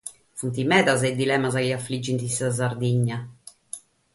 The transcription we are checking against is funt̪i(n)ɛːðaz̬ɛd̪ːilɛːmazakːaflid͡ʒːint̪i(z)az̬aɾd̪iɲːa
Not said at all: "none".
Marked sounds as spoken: m, s

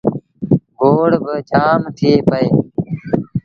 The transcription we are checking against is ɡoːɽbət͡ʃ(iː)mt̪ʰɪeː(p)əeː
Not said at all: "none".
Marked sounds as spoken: aː, p

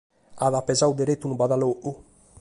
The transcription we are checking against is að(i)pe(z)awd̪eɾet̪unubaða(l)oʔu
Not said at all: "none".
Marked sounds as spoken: a, z, l

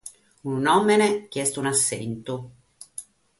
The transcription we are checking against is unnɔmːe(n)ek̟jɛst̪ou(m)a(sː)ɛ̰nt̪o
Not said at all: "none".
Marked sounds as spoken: n, n, sː

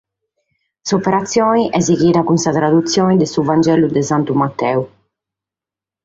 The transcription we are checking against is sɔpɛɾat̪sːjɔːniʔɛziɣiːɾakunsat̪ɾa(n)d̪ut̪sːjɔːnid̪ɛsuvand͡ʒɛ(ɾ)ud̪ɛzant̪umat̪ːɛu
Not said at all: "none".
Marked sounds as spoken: none, l

